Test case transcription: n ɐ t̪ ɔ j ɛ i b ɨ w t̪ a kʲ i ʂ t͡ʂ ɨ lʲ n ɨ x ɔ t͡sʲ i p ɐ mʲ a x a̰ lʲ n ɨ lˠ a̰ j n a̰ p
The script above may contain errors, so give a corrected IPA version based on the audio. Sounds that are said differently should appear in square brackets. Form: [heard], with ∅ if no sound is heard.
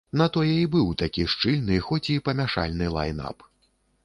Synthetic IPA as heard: n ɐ t̪ ɔ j ɛ i b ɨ w t̪ a kʲ i ʂ t͡ʂ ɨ lʲ n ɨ x ɔ t͡sʲ i p ɐ mʲ a [ʂ] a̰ lʲ n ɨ lˠ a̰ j n a̰ p